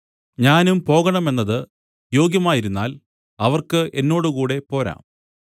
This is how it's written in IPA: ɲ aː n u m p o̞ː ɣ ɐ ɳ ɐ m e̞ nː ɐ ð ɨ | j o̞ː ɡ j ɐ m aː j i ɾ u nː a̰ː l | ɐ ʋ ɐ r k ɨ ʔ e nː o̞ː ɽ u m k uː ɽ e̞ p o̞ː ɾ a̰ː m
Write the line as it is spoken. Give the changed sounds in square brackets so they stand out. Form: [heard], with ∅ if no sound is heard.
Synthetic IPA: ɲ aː n u m p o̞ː ɣ ɐ ɳ ɐ m e̞ nː ɐ ð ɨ | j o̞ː ɡ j ɐ m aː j i ɾ u nː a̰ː l | ɐ ʋ ɐ r k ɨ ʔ e nː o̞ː ɽ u [∅] k uː ɽ e̞ p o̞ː ɾ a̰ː m